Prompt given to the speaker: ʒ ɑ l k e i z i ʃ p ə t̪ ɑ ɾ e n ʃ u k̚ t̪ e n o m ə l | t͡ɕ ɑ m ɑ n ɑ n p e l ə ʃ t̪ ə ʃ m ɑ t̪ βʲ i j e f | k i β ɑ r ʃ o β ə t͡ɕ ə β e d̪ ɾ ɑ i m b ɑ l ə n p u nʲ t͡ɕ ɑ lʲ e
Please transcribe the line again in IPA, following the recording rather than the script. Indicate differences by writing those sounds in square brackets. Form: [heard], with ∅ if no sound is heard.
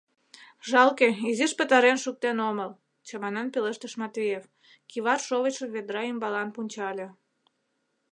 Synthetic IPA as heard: ʒ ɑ l k e i z i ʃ p ə t̪ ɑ ɾ e n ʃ u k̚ t̪ e n o m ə l | t͡ɕ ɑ m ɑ n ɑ n p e l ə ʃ t̪ ə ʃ m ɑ t̪ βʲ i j e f | k i β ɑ r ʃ o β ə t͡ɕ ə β e d̪ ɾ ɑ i m b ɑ l [ɑ] n p u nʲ t͡ɕ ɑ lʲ e